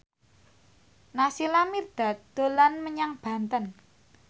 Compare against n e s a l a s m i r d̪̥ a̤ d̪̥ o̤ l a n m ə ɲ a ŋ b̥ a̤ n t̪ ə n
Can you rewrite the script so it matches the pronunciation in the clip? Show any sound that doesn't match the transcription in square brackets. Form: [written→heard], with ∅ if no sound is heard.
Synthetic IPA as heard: n [e→a] s [a→i] l a [s→∅] m i r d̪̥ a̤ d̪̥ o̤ l a n m ə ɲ a ŋ b̥ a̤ n t̪ ə n

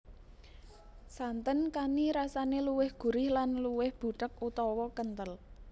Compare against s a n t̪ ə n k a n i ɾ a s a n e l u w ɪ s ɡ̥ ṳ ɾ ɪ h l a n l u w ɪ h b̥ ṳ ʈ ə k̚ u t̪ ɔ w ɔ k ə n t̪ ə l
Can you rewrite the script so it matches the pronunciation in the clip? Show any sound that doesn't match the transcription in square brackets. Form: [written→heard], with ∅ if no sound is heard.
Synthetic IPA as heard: s a n t̪ ə n k a n i ɾ a s a n e l u w ɪ [s→h] ɡ̥ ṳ ɾ ɪ h l a n l u w ɪ h b̥ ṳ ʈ ə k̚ u t̪ ɔ w ɔ k ə n t̪ ə l

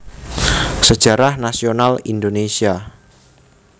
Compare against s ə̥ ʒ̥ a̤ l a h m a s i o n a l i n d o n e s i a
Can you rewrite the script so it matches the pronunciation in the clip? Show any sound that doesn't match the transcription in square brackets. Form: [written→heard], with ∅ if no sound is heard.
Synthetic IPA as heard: s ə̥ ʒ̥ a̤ [l→ɾ] a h [m→n] a s i o n a l i n d o n e s i a

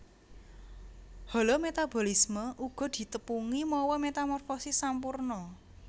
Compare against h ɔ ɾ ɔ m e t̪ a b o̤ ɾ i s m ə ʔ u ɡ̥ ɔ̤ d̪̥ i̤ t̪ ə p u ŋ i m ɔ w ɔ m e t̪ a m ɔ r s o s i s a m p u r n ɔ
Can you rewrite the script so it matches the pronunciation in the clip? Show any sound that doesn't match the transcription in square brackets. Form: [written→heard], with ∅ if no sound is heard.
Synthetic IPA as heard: h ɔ [ɾ→l] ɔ m e t̪ a b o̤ [ɾ→l] i s m ə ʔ u ɡ̥ ɔ̤ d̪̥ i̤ t̪ ə p u ŋ i m ɔ w ɔ m e t̪ a m ɔ r [s→f] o s i s a m p u r n ɔ

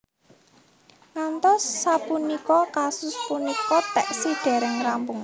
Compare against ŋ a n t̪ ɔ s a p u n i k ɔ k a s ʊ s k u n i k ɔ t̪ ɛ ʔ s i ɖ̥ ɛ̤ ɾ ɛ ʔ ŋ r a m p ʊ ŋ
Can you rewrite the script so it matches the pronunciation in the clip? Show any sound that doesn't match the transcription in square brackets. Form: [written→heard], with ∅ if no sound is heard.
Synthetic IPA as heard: ŋ a n t̪ ɔ [s→sː] a p u n i k ɔ k a s ʊ s [k→p] u n i k ɔ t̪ ɛ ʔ s i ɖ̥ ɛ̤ ɾ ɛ [ʔ→∅] ŋ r a m p ʊ ŋ

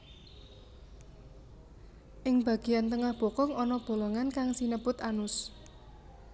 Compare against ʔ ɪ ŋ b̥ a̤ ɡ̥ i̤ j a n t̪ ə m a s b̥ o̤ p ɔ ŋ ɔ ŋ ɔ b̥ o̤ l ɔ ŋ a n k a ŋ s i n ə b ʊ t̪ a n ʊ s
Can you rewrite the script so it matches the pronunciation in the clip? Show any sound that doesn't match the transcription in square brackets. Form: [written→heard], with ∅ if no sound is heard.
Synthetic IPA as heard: ʔ ɪ ŋ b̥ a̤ ɡ̥ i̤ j a n t̪ ə [m→ŋ] a [s→h] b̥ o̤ [p→k] ɔ ŋ ɔ [ŋ→n] ɔ b̥ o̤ l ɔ ŋ a n k a ŋ s i n ə b ʊ t̪ a n ʊ s

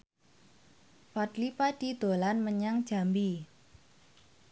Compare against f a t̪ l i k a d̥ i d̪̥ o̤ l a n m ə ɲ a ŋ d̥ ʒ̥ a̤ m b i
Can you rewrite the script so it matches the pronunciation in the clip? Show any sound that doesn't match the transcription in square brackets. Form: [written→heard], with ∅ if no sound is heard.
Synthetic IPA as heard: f a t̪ l i [k→p] a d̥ i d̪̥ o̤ l a n m ə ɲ a ŋ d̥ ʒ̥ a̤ m b i

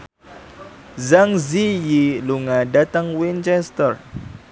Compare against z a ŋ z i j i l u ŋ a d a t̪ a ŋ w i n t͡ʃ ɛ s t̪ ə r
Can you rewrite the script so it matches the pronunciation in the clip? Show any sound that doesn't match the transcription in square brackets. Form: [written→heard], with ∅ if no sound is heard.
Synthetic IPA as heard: z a ŋ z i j i l u ŋ a d a t̪ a ŋ w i n t͡ʃ ɛ s t̪ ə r

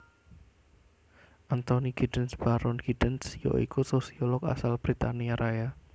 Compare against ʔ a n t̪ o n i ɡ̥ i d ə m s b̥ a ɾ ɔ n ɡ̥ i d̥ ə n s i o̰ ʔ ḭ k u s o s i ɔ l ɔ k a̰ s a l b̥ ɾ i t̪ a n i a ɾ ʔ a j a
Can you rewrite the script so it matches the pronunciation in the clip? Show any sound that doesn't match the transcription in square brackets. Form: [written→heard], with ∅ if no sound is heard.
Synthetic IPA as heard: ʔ a n t̪ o n i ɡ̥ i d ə [m→n] s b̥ a ɾ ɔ n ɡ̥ i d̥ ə n s [i→j] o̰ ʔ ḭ k u s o s i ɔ l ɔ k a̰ s a l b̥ ɾ i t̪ a n i a ɾ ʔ a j a

